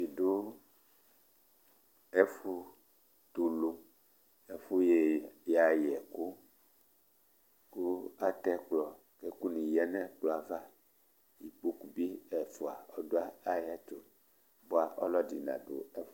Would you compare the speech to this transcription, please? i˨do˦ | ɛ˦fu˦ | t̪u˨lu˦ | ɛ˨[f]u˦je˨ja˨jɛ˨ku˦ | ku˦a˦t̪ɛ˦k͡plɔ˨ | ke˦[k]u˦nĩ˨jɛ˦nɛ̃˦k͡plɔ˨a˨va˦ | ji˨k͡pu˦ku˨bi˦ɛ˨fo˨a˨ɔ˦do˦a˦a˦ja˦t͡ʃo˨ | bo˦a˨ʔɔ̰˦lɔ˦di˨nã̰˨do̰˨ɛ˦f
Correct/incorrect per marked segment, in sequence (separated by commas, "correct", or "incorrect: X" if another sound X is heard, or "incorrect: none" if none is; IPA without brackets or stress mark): correct, correct